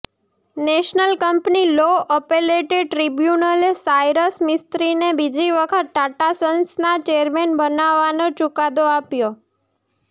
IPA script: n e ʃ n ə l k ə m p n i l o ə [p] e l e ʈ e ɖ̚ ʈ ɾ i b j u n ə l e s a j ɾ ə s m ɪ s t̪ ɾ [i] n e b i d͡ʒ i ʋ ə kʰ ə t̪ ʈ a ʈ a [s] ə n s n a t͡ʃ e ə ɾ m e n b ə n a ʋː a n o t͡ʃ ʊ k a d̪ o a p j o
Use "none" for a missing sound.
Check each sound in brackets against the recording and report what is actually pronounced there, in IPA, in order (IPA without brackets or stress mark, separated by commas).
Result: p, i, s